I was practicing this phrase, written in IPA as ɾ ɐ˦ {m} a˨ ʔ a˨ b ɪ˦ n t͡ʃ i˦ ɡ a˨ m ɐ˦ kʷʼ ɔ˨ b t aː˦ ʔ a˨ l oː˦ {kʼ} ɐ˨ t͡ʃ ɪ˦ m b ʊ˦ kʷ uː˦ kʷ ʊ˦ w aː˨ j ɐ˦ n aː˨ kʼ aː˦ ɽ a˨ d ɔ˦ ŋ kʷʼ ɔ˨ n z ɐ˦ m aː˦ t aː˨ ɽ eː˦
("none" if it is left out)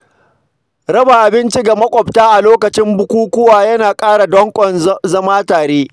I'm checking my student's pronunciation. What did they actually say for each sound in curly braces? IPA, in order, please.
b, k

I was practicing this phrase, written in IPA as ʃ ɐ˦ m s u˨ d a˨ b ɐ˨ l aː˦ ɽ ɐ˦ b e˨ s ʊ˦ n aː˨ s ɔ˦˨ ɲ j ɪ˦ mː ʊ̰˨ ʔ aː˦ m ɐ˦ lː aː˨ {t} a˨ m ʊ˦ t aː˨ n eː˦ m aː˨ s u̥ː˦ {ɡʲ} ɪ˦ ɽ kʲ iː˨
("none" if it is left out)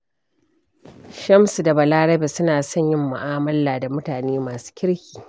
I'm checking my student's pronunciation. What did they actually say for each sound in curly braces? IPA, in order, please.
d, kʲ

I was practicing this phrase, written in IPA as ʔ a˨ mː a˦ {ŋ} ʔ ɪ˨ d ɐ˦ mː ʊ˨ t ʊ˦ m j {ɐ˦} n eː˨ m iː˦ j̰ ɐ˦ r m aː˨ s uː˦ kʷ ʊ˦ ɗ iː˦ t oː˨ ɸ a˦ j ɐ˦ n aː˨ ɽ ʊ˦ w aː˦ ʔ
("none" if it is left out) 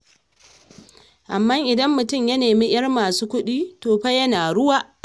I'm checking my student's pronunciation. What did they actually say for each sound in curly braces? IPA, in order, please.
ŋ, ɐ˦

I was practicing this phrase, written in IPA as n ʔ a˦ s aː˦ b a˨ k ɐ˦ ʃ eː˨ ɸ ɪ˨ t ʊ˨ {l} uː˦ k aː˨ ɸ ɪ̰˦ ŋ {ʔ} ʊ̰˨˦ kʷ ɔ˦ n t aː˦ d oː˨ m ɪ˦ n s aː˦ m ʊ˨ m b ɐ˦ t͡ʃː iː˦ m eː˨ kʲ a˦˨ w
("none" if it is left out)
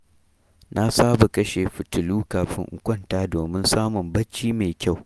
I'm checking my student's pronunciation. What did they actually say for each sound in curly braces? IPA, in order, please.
l, ʔ

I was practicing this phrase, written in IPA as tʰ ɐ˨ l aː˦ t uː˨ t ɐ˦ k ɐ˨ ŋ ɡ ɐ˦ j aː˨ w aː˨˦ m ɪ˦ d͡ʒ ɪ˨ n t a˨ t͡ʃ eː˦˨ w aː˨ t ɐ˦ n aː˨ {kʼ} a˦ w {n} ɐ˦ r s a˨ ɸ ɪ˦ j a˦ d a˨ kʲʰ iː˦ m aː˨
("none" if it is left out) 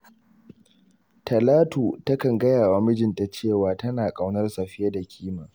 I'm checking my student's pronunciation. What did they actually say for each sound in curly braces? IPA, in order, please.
kʼ, n

